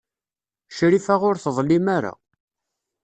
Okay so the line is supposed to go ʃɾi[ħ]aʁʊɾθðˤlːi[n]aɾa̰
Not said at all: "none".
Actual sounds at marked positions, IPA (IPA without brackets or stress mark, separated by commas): f, m